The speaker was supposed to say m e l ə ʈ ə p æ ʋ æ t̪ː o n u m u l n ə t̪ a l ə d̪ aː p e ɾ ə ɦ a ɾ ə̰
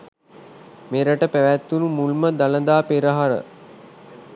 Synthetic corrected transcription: m e ɾ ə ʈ ə p æ ʋ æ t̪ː u n u m u l m ə d̪ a l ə d̪ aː p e ɾ ə ɦ a ɾ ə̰